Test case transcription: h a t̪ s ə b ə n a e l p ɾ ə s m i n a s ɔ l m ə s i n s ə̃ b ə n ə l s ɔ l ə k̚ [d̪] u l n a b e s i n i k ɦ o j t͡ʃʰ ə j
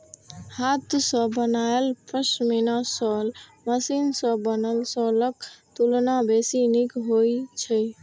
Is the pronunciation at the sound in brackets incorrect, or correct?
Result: incorrect: t̪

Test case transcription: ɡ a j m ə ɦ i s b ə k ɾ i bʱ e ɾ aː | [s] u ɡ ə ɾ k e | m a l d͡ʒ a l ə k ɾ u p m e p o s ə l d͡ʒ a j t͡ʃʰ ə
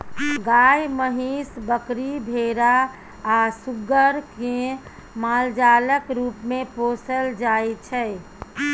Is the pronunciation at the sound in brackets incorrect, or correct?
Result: correct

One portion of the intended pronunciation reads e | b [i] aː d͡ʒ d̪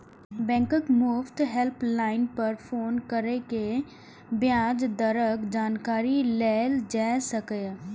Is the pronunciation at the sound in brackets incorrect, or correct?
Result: incorrect: j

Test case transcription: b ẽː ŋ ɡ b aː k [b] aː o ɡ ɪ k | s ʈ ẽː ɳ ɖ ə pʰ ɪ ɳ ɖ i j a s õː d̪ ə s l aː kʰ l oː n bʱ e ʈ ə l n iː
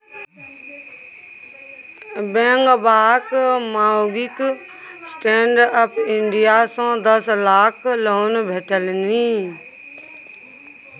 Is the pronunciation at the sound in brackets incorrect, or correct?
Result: incorrect: m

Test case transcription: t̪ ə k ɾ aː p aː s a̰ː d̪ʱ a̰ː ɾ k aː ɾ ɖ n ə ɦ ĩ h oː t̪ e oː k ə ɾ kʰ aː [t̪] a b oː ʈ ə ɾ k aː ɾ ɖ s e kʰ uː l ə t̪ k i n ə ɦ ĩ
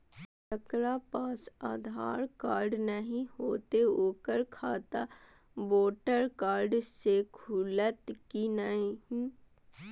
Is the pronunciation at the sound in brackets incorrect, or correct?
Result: correct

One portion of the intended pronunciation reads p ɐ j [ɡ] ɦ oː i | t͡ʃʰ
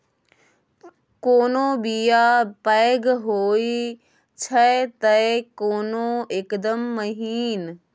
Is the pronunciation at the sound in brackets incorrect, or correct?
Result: correct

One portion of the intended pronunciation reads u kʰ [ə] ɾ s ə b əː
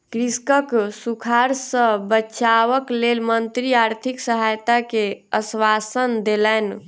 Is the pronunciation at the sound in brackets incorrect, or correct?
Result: incorrect: a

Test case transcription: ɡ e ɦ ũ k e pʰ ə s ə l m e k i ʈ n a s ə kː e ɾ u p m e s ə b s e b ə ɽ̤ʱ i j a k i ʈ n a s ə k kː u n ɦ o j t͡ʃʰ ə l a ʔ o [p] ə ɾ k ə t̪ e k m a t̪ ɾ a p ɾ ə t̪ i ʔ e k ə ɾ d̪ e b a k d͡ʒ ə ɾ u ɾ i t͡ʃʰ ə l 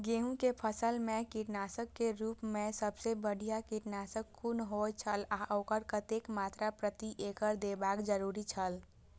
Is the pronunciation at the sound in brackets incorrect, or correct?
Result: incorrect: k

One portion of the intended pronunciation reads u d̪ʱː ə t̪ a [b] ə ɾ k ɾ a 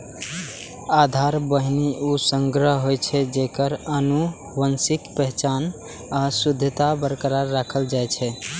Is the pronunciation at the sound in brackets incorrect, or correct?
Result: correct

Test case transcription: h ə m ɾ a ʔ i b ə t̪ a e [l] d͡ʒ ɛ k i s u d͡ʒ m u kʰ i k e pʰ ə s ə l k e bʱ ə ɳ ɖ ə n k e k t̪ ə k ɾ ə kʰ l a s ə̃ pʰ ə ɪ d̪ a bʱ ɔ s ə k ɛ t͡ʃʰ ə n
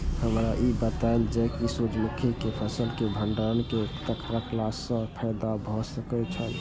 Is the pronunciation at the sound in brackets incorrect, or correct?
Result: correct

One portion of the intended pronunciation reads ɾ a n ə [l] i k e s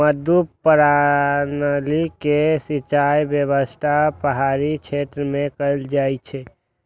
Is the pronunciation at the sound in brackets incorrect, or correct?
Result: correct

